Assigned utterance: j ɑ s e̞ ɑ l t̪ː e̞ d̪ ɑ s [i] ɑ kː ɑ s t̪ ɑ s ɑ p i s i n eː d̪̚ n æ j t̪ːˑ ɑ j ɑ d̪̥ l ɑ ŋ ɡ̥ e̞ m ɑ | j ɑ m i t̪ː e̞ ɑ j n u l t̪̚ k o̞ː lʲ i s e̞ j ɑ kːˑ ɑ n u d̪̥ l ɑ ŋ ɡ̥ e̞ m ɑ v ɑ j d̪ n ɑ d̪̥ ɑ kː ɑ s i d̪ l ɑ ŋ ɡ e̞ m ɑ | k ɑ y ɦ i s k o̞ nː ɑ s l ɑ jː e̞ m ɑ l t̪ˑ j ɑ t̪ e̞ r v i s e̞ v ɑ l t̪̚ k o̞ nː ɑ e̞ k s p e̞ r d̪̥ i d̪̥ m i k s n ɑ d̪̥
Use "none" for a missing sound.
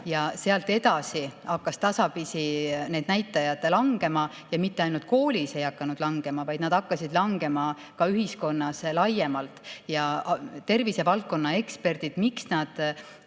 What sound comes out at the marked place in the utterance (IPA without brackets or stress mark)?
i